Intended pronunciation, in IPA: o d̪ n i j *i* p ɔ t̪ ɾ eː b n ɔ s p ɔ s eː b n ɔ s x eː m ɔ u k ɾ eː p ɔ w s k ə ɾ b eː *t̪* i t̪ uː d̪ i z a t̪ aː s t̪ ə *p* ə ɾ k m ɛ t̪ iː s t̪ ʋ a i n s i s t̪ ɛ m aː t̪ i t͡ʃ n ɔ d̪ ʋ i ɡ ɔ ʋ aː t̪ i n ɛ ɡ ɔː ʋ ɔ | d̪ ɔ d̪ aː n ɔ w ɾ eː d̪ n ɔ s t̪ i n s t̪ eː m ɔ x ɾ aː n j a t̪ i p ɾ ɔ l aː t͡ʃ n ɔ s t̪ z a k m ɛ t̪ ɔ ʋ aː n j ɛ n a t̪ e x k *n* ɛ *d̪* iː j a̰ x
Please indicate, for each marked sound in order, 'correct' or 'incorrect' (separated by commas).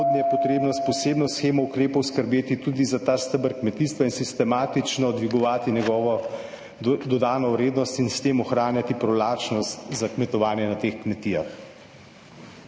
incorrect, correct, incorrect, incorrect, incorrect